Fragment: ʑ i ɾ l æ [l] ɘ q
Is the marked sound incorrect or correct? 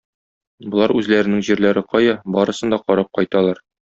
incorrect